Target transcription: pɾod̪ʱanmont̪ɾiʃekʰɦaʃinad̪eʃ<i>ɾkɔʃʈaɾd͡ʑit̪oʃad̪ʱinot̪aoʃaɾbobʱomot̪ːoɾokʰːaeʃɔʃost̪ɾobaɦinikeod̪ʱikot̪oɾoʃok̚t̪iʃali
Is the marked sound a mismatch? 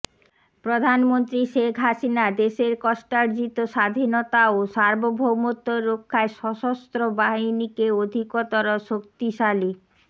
yes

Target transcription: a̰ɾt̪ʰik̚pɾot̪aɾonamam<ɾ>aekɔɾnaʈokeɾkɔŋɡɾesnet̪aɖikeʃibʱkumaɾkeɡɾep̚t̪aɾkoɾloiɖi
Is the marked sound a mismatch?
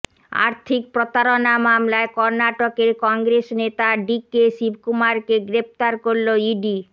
yes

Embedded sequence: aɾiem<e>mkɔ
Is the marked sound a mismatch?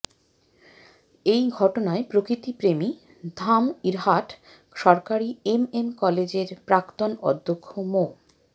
no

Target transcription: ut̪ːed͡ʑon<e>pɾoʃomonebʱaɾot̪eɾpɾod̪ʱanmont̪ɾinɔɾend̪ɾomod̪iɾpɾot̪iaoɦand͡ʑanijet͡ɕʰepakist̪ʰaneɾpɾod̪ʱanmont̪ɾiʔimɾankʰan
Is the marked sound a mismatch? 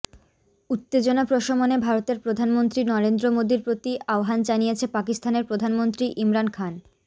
yes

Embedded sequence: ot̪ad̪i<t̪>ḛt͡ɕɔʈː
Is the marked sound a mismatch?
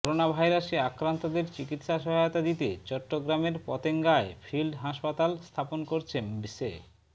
no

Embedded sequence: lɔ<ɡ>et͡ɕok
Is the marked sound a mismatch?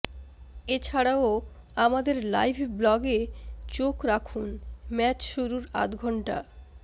no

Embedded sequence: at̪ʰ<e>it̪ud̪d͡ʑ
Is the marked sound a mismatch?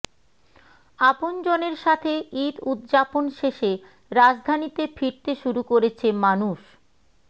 no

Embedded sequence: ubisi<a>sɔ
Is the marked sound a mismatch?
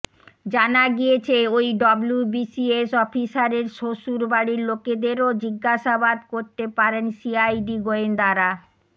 yes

